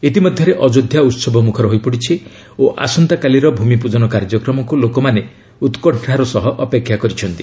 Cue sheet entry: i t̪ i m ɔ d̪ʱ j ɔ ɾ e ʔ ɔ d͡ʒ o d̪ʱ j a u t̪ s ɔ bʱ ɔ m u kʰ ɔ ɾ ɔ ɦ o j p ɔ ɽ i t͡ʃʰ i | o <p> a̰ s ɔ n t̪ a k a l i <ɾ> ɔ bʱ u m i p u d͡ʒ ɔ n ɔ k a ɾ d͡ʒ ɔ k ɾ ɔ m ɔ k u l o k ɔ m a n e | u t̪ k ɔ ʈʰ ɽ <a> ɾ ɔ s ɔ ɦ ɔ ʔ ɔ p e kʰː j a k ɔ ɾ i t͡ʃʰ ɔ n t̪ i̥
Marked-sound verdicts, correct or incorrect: incorrect: ʔ, correct, correct

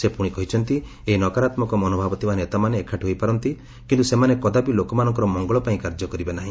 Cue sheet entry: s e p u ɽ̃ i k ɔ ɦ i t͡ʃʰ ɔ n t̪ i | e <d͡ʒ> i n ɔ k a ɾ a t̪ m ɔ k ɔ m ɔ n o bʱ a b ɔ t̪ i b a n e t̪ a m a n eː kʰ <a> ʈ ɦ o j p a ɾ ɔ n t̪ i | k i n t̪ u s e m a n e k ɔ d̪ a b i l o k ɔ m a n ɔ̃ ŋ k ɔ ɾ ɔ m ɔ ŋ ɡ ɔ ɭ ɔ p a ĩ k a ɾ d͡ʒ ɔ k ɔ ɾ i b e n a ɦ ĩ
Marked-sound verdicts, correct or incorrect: incorrect: none, correct

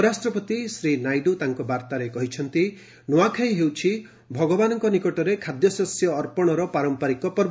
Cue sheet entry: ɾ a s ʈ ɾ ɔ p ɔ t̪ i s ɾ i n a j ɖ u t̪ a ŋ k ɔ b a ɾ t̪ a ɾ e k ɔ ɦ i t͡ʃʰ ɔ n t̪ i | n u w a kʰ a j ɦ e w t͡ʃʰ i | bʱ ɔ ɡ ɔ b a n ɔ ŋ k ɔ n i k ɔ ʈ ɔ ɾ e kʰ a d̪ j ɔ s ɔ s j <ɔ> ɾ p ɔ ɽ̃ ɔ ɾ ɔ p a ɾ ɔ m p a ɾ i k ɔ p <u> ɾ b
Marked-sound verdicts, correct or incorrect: incorrect: ɔː, incorrect: ɔ

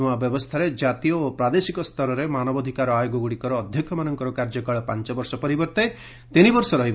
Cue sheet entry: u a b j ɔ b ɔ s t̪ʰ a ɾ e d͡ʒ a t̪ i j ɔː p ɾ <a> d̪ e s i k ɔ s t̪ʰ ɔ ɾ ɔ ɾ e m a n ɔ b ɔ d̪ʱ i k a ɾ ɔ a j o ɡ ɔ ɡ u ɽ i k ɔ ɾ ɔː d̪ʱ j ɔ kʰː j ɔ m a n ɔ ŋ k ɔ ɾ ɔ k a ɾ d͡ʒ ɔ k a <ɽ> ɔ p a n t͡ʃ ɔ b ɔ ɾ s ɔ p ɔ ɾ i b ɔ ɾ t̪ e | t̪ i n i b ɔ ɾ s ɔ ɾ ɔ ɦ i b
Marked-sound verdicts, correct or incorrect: correct, incorrect: ɭ

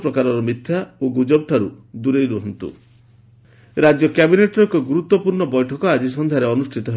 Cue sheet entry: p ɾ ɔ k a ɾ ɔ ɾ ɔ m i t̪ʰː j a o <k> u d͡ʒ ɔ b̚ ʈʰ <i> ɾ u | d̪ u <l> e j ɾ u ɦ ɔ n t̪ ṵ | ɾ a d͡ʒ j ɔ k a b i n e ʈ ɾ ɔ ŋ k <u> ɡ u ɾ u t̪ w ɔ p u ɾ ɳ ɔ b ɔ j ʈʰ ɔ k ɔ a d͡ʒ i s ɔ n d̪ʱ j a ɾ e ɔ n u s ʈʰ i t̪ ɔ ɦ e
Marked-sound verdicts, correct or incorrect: incorrect: ɡ, incorrect: a, incorrect: ɾ, incorrect: ɔ

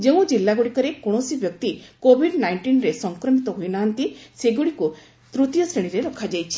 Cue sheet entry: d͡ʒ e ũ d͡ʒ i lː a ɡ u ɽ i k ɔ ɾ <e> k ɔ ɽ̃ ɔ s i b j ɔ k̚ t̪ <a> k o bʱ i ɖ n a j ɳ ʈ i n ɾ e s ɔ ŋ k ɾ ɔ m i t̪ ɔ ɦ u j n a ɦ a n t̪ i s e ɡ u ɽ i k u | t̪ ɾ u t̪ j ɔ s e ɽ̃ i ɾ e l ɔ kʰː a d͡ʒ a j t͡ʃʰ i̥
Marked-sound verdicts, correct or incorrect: correct, incorrect: i

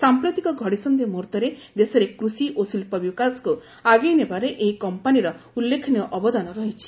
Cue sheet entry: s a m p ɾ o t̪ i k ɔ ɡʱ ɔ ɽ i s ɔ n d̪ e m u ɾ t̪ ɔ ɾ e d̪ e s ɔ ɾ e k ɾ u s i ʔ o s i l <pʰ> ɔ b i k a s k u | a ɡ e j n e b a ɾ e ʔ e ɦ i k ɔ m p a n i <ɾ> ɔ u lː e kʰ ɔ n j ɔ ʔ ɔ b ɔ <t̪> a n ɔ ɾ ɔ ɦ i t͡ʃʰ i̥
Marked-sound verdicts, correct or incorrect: incorrect: p, correct, incorrect: d̪

